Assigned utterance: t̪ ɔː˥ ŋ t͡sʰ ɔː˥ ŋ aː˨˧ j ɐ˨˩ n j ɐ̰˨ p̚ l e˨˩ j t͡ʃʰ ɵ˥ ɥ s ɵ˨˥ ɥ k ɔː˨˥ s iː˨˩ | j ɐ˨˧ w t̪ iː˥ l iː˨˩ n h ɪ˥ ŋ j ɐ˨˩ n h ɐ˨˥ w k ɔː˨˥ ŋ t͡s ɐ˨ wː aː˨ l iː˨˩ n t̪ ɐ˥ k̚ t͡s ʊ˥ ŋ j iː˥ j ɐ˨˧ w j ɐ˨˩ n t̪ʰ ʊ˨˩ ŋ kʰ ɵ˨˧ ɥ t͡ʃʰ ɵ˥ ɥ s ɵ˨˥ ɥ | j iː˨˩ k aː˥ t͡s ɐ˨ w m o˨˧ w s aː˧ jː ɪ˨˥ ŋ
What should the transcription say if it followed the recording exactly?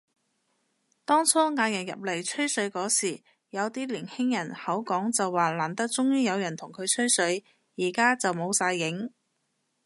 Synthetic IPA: t̪ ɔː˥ ŋ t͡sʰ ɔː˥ ŋ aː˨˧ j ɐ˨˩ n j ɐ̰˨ p̚ l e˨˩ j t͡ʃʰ ɵ˥ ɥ s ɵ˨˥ ɥ k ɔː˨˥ s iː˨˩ | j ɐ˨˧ w t̪ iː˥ l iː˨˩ n h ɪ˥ ŋ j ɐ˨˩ n h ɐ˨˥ w k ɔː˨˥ ŋ t͡s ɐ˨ wː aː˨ l aː˨˩ n t̪ ɐ˥ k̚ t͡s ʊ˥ ŋ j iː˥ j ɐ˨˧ w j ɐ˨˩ n t̪ʰ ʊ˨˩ ŋ kʰ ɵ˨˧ ɥ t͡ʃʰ ɵ˥ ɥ s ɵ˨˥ ɥ | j iː˨˩ k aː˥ t͡s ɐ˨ w m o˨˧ w s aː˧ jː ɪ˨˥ ŋ